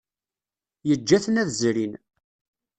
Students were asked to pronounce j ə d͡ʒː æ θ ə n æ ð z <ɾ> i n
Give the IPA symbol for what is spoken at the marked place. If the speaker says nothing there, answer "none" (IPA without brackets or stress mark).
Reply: ɾ